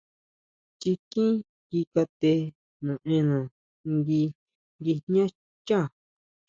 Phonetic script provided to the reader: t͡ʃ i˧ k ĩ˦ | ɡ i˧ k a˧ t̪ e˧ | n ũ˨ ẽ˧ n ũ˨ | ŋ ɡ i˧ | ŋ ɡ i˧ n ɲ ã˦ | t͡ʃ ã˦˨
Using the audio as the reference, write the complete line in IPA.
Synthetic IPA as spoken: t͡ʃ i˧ k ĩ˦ | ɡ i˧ k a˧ t̪ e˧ | n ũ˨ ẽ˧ n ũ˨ | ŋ ɡ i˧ | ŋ ɡ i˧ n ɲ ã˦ | t͡ʃ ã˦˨